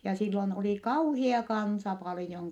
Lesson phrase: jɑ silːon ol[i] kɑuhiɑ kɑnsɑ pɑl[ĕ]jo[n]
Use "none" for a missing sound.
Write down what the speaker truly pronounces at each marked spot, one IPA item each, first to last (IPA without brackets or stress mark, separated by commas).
i, ĭ, ŋ